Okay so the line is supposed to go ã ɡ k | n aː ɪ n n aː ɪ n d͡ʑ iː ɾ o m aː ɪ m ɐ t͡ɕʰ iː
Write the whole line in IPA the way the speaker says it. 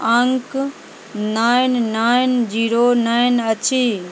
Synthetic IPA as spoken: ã ŋ k | n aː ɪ n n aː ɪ n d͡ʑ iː ɾ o n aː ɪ n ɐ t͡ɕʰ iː